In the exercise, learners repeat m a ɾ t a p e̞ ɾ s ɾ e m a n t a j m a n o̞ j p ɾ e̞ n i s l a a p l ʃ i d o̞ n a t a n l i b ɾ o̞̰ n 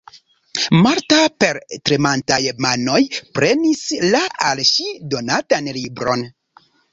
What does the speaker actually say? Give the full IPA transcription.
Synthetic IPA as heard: m a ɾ t a p e̞ ɾ t ɾ e m a n t a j m a n o̞ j p ɾ e̞ n i s l a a l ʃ i d o̞ n a t a n l i b ɾ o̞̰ n